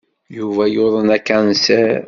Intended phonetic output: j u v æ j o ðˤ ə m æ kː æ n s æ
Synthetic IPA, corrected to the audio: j u v æ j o ðˤ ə n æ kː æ n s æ